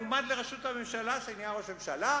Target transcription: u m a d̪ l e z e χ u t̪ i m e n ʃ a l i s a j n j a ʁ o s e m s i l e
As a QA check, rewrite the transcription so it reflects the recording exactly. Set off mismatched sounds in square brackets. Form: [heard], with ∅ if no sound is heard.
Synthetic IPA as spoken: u m a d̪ l e [ʁ] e [ʃ] u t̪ [a] m e [m] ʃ a l [a] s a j n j a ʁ o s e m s [a] l [a]